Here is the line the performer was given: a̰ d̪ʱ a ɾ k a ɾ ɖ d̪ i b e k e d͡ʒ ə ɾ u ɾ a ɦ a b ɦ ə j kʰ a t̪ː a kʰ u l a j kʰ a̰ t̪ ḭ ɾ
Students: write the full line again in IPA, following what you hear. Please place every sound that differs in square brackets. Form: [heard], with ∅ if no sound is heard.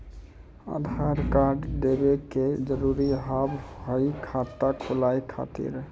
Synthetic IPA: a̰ d̪ʱ a ɾ k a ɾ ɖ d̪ [e] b e k e d͡ʒ ə ɾ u ɾ [i] ɦ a b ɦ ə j kʰ a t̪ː a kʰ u l a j kʰ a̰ t̪ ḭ ɾ